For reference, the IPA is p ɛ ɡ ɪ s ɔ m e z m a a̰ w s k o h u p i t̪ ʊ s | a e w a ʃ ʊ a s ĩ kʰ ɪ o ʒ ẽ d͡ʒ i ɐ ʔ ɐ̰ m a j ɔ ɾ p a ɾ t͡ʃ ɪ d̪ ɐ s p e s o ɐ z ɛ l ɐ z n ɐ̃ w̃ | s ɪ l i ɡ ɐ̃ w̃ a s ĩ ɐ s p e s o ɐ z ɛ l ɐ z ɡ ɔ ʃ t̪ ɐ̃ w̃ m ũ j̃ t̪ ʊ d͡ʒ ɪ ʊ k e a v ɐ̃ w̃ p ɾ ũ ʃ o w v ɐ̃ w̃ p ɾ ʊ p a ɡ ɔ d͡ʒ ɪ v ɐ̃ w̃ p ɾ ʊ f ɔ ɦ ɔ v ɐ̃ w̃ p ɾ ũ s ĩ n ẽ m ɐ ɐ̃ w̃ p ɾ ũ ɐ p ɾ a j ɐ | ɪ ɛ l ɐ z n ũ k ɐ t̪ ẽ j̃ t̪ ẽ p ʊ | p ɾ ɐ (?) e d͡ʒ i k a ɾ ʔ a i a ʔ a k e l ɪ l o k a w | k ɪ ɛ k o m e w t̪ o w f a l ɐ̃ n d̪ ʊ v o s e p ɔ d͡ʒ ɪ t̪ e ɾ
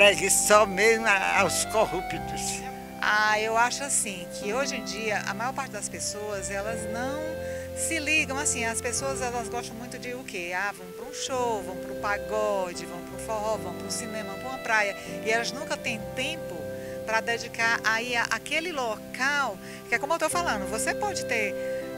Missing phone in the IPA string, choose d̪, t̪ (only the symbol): d̪